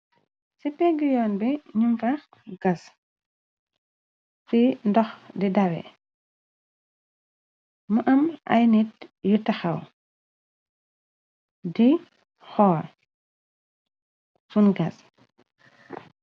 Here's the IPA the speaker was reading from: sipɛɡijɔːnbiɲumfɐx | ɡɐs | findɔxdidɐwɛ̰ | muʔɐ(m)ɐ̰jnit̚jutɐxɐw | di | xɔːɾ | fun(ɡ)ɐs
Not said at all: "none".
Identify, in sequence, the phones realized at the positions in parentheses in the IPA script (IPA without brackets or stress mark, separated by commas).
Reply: m, ɡ